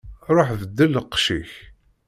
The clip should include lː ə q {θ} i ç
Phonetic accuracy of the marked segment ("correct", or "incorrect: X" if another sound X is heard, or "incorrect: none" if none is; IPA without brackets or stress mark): incorrect: ʃ